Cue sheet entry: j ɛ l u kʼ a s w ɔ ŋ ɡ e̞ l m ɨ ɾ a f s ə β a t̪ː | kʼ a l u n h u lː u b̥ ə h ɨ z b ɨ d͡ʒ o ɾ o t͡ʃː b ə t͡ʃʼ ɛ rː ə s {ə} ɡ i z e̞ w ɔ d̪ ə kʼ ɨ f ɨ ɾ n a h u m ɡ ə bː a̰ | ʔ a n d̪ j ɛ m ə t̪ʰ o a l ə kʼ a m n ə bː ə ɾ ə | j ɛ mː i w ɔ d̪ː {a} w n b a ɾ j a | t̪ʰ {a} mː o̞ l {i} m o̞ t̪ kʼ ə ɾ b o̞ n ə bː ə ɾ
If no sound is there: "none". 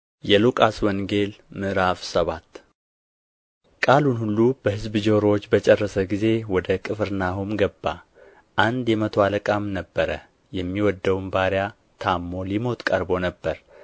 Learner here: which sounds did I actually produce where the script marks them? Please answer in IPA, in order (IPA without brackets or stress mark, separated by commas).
ə, ə, a, i